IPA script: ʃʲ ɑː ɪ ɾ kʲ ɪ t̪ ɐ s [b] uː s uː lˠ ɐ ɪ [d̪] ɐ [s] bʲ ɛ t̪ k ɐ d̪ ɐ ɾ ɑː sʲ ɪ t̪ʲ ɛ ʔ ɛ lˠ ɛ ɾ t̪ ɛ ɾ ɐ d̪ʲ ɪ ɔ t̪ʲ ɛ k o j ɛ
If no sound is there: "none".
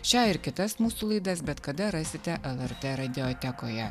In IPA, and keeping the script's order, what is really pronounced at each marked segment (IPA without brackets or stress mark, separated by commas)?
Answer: m, d̪, s